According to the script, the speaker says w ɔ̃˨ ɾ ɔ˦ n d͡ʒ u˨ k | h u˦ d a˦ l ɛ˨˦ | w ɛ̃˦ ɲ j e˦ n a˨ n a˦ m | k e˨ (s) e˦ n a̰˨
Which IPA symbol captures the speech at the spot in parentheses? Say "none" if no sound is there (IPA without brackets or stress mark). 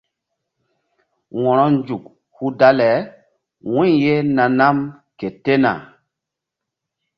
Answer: t